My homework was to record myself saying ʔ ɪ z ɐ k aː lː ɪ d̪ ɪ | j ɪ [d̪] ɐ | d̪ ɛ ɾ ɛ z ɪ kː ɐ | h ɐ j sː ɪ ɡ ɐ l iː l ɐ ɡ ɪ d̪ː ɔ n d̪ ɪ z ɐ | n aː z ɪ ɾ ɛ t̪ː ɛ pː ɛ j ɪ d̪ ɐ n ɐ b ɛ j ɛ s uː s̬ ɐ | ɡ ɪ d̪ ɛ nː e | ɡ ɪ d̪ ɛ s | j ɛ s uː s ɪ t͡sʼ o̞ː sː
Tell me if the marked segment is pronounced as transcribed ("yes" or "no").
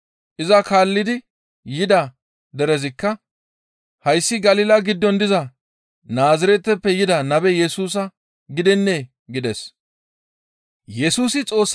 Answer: yes